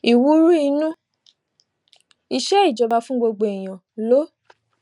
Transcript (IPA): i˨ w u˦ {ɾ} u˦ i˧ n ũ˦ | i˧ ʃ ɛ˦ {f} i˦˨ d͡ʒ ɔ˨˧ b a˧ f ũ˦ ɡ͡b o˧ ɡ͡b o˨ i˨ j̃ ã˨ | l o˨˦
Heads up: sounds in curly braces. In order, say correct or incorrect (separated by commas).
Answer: correct, incorrect